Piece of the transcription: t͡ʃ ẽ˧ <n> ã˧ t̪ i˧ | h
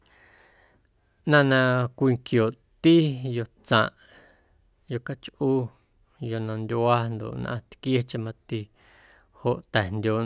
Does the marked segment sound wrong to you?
yes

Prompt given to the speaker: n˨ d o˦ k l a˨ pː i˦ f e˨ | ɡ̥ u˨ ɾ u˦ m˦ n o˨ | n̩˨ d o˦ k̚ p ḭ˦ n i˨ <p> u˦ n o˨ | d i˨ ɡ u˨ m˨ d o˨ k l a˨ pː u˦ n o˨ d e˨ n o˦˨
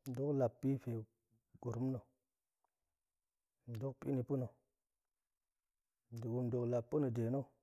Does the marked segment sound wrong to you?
no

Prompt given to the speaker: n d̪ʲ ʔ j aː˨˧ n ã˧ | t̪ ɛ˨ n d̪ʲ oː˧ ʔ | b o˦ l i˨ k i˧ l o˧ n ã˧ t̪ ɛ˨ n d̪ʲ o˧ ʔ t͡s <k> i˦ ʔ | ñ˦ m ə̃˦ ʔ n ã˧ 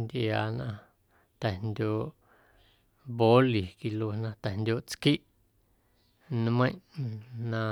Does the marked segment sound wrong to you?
no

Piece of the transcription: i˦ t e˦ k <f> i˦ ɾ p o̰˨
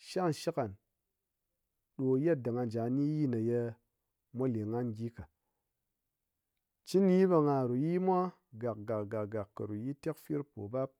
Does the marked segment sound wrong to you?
no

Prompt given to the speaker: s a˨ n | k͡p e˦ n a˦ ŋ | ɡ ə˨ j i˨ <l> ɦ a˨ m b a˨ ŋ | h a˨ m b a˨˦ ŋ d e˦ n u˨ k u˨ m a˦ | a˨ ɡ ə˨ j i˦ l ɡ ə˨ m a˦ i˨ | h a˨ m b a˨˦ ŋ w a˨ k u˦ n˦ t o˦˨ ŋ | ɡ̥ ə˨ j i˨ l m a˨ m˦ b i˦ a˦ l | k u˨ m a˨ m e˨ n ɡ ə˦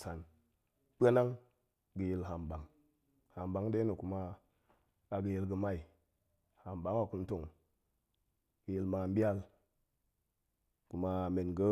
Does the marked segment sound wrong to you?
no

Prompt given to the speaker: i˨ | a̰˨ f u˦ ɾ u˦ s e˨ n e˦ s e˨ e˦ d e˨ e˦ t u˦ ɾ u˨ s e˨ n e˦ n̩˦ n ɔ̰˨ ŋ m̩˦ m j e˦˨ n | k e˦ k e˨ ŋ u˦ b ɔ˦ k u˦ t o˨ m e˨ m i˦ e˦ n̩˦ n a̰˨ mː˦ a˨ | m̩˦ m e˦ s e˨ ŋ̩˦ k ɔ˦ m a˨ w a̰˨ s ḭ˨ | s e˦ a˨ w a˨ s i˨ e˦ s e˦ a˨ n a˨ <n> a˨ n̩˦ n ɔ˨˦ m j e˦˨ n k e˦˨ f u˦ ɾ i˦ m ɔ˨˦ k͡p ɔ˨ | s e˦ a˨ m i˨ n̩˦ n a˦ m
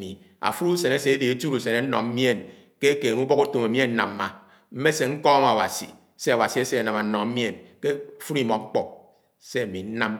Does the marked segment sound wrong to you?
yes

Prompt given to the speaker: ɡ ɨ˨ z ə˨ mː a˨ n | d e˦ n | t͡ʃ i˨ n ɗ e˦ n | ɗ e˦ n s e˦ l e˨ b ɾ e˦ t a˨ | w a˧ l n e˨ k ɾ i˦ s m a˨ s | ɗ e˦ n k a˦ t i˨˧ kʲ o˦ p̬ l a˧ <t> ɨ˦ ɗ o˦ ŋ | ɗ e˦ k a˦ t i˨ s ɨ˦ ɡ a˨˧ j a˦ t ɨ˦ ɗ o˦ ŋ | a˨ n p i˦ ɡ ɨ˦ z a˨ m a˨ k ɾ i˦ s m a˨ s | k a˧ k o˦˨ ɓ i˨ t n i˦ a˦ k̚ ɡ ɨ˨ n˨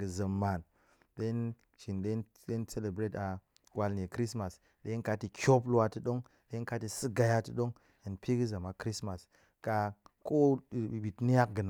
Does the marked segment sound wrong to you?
no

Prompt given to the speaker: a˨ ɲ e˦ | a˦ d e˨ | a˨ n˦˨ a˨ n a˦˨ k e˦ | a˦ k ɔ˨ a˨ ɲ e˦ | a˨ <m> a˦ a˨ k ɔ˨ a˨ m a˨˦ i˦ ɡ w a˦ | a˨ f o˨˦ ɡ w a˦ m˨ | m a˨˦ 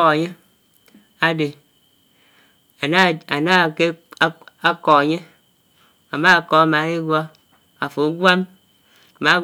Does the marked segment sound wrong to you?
no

